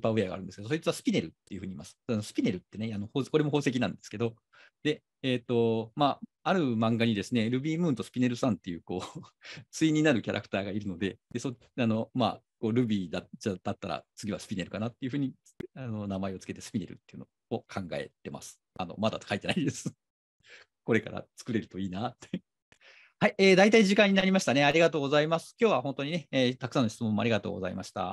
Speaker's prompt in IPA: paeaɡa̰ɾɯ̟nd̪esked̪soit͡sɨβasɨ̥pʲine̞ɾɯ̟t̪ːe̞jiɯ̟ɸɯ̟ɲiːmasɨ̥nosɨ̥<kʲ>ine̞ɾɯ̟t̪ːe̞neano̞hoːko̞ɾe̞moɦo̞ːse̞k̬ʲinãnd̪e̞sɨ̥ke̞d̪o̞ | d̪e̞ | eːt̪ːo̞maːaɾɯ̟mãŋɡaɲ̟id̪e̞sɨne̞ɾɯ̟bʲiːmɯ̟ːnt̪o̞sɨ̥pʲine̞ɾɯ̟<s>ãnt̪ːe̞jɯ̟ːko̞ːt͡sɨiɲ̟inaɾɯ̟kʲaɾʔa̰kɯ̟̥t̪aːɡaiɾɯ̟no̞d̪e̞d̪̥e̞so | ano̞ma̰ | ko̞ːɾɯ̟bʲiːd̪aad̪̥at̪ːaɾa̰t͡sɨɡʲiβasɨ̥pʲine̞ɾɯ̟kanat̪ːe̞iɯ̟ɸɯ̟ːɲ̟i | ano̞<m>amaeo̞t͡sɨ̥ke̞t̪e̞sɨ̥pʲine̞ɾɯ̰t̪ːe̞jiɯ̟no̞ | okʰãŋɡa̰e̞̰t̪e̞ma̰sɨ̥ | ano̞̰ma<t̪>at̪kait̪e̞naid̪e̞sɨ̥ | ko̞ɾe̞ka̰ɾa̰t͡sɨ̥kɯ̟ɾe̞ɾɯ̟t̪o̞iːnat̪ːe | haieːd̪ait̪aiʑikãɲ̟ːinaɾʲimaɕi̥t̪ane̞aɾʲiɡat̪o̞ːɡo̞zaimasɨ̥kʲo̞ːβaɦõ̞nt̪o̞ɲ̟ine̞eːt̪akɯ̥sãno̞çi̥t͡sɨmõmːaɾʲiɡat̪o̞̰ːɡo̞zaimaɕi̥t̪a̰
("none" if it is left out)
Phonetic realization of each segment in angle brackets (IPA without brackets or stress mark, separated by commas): pʲ, s, n, d̪